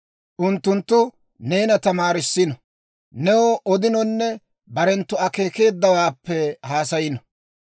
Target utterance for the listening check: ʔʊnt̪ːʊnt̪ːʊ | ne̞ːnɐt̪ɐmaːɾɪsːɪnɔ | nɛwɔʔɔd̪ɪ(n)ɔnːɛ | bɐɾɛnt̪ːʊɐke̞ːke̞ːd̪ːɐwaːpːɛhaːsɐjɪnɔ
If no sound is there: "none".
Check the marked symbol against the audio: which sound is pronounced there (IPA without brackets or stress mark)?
n